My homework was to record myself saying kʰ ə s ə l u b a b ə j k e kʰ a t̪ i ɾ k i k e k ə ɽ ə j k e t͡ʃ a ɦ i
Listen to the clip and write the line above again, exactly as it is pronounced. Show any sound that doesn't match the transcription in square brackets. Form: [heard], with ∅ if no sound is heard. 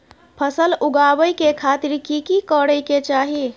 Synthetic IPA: [pʰ] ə s ə l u [ɡ] a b ə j k e kʰ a t̪ i ɾ k i k [i] k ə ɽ ə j k e t͡ʃ a ɦ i